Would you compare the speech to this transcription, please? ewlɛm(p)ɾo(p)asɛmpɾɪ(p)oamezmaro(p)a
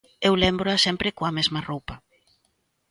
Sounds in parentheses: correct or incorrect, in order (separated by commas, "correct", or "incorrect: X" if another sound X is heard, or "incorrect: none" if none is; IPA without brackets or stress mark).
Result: incorrect: b, incorrect: none, incorrect: k, correct